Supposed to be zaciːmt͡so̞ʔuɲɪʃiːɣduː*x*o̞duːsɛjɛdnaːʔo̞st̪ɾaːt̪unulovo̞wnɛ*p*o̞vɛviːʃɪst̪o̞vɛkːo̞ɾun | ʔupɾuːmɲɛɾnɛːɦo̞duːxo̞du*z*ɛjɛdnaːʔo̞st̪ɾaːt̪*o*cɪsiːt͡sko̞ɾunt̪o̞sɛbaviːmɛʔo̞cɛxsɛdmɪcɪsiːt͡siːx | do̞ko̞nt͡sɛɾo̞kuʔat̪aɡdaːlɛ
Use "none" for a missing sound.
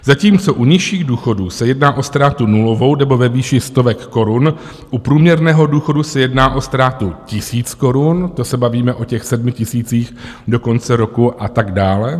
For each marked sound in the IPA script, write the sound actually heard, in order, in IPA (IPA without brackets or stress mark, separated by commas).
x, b, s, u